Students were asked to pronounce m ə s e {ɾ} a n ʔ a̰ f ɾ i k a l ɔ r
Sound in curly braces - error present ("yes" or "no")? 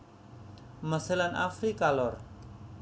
yes